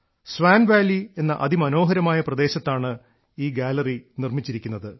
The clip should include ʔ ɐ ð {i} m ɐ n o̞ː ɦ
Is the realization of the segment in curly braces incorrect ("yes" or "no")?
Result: no